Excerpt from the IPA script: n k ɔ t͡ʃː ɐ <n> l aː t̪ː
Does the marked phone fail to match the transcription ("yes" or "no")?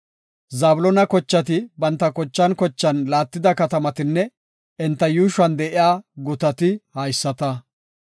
no